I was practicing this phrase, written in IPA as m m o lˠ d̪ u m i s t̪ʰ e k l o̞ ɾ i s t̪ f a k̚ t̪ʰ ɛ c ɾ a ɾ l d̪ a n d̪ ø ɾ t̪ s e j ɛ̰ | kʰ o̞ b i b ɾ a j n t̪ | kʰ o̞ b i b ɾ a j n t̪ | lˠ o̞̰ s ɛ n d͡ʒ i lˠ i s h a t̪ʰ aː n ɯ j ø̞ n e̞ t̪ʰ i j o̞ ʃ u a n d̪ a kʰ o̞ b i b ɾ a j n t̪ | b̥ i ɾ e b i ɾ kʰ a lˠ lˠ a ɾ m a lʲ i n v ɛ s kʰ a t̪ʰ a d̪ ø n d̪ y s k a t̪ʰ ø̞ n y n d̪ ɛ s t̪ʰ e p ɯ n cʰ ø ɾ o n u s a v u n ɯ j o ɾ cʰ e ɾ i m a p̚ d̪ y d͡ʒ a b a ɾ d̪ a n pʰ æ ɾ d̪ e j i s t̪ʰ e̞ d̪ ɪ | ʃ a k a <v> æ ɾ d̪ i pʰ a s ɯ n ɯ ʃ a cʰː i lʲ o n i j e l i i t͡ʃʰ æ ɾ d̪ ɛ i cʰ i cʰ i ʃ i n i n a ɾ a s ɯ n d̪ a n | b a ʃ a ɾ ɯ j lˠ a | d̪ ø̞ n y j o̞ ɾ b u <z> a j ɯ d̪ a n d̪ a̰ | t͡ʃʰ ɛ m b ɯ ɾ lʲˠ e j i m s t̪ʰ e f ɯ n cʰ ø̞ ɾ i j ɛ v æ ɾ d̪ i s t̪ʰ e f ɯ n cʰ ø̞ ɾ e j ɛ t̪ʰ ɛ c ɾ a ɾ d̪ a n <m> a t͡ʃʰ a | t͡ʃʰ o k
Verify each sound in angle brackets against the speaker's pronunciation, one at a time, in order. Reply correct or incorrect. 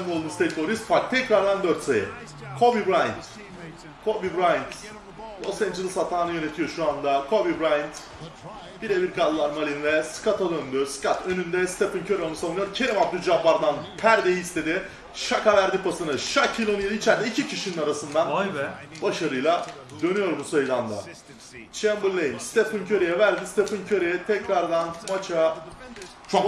correct, incorrect, correct

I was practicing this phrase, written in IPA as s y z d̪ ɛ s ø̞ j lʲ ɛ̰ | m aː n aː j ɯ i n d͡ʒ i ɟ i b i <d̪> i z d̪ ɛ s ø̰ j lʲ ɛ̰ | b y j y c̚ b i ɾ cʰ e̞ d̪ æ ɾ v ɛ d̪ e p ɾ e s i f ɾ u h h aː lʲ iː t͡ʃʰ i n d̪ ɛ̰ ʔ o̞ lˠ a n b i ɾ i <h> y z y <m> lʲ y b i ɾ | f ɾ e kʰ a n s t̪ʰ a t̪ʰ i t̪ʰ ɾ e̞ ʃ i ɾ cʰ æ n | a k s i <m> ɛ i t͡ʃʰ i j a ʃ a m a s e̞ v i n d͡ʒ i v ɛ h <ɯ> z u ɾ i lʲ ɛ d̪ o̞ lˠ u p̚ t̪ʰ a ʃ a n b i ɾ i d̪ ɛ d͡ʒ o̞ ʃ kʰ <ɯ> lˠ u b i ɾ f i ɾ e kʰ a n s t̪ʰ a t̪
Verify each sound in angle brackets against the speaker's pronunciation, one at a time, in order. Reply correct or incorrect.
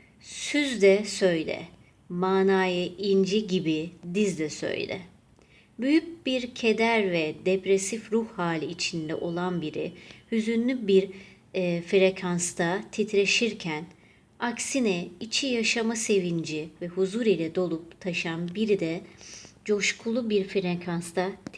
correct, correct, incorrect, incorrect, incorrect, incorrect

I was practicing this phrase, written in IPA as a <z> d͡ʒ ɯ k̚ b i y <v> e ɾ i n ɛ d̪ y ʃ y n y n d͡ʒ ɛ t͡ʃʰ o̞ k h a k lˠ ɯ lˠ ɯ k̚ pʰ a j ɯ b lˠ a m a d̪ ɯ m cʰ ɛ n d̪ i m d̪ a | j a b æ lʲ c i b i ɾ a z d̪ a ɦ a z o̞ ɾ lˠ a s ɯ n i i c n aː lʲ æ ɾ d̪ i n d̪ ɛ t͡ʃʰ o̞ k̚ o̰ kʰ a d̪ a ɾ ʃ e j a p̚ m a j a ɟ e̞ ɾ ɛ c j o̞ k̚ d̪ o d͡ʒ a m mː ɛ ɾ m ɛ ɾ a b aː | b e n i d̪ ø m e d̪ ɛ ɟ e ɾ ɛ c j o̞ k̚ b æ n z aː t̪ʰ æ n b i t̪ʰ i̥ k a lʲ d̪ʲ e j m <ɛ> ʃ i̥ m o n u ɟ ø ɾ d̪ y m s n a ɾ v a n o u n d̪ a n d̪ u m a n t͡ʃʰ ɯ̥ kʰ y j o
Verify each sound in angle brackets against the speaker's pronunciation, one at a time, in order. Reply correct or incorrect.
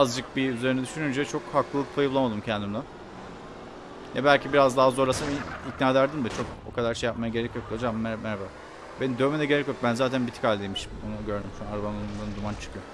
correct, incorrect, incorrect

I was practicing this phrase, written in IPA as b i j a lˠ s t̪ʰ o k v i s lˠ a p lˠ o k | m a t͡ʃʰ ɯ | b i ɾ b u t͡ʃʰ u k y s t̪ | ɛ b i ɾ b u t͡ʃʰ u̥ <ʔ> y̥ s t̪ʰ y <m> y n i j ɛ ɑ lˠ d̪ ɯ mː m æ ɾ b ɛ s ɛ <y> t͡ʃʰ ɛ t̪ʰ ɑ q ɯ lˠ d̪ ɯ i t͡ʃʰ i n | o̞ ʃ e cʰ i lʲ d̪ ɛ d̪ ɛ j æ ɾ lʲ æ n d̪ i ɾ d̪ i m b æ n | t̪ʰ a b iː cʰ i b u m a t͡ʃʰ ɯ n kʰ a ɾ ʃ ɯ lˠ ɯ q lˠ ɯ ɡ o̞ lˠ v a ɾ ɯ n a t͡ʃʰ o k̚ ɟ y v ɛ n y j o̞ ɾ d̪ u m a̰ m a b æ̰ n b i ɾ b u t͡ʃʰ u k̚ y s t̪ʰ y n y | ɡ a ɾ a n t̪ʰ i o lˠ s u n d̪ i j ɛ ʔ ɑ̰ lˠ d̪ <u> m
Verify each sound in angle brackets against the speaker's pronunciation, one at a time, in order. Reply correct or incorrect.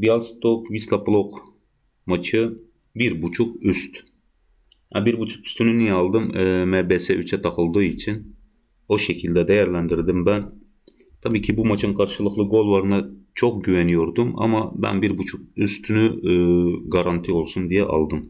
incorrect, incorrect, correct, incorrect

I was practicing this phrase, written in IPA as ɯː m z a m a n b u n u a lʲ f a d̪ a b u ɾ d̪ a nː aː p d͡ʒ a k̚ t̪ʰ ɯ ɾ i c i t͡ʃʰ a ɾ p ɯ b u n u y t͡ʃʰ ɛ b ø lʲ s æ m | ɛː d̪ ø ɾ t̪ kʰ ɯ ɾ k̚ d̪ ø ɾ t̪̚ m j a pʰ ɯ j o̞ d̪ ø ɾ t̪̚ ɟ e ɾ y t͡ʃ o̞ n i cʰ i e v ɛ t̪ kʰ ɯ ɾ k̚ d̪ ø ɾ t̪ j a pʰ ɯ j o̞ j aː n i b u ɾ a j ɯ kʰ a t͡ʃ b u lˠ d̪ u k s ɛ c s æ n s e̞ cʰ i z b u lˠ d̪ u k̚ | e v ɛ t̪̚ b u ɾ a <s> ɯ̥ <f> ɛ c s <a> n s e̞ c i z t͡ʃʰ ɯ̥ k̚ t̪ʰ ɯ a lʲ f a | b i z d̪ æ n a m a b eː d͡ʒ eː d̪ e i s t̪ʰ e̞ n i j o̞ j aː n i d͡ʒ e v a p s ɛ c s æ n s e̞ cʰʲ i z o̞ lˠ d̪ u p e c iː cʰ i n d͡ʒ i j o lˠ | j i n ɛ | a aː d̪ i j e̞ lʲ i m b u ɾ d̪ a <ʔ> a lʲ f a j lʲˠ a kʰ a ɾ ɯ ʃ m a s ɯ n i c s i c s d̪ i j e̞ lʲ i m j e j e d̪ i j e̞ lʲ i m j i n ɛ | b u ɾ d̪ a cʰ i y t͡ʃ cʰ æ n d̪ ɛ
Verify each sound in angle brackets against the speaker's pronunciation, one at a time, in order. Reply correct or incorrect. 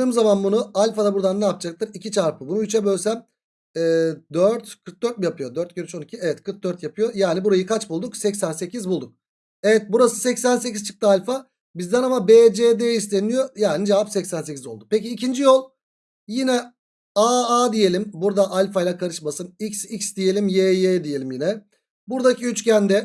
correct, incorrect, incorrect, correct

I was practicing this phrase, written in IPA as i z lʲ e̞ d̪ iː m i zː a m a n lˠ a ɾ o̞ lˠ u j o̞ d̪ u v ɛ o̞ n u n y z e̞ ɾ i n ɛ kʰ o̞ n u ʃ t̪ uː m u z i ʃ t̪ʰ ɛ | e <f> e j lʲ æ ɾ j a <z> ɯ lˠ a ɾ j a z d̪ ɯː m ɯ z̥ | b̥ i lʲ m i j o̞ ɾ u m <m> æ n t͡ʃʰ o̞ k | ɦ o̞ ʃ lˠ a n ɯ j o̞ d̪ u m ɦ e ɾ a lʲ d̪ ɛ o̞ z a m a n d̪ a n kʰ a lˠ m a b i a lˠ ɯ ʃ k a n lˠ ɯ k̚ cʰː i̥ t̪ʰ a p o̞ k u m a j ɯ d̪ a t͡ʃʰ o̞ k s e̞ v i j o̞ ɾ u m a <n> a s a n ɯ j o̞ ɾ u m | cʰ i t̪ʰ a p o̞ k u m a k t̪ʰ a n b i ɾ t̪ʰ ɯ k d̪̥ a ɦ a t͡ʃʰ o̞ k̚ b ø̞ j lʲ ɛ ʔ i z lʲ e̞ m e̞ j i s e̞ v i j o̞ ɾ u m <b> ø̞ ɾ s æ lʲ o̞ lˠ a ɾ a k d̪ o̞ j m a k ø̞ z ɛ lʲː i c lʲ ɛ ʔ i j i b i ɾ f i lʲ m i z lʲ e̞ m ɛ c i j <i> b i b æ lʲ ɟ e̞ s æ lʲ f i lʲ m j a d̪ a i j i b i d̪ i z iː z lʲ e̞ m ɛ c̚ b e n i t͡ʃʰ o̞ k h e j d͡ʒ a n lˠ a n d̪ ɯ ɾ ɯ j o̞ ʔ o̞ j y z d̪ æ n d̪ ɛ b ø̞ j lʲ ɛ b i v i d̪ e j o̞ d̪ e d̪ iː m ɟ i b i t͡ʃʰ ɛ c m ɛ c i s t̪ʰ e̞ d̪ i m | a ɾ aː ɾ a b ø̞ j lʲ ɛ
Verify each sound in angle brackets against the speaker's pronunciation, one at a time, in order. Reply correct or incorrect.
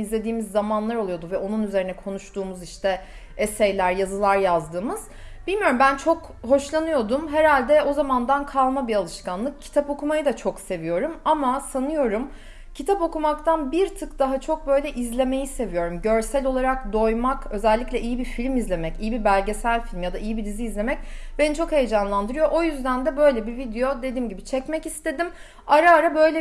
incorrect, correct, incorrect, incorrect, incorrect, correct

